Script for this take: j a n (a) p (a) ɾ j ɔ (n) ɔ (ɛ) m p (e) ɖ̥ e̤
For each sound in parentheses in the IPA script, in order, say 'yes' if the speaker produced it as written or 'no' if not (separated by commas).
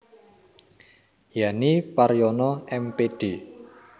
no, yes, yes, yes, yes